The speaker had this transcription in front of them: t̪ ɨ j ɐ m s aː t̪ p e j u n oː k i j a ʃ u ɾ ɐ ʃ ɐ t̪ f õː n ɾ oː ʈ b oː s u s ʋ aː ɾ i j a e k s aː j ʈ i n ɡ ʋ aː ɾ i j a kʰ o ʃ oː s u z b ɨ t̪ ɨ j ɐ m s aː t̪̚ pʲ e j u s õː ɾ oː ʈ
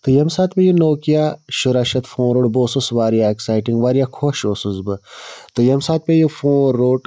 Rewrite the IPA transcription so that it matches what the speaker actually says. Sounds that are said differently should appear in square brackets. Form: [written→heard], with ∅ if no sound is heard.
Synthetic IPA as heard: t̪ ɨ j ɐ m s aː t̪ p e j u n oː k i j a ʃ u ɾ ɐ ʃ ɐ t̪ f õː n ɾ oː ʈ b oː s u s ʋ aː ɾ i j a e k s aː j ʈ i [n→ŋ] ɡ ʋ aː ɾ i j a kʰ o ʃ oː s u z b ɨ t̪ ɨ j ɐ m s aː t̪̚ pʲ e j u [s→f] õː ɾ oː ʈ